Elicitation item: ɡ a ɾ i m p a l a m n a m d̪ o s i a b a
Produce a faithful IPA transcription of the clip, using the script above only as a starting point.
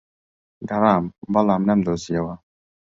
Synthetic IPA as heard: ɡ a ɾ a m b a l a m n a m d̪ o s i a w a